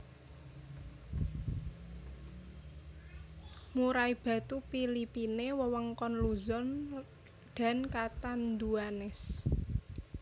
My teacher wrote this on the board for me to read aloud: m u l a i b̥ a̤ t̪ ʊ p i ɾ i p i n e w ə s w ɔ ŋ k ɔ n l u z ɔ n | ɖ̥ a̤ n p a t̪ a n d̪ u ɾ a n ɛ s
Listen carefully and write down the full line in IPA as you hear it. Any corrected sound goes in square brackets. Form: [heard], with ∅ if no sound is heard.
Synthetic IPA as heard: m u [ɾ] a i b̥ a̤ t̪ [u] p i [l] i p i n e w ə [∅] w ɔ ŋ k ɔ n l u z ɔ n | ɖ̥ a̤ n [k] a t̪ a n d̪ u [∅] a n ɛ s